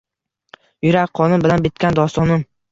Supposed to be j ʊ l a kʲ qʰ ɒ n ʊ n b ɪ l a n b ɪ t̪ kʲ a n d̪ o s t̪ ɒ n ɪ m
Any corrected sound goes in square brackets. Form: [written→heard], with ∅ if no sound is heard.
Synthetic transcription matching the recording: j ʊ [l→ɾ] a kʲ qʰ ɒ n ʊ n b ɪ l a n b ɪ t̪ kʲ a n d̪ [o→ɒ] s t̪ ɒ n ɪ m